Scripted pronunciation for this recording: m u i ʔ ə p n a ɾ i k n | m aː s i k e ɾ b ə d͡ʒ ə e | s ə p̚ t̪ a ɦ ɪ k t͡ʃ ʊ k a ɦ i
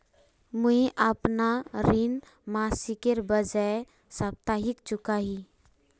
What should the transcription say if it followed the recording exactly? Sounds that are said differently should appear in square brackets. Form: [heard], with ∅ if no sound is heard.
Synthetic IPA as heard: m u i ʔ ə p n a ɾ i [∅] n | m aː s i k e ɾ b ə d͡ʒ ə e | s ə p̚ t̪ a ɦ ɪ k t͡ʃ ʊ k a ɦ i